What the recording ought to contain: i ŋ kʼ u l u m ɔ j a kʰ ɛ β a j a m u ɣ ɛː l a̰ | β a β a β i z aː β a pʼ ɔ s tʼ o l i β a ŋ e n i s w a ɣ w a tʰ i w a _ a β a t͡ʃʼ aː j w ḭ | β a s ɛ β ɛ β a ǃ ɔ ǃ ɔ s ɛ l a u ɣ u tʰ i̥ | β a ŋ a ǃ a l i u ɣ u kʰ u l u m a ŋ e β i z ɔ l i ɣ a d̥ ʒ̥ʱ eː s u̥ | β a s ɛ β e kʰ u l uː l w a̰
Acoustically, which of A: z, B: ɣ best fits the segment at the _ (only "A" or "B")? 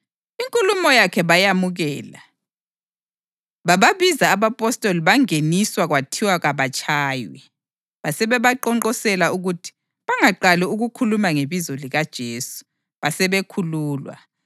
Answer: B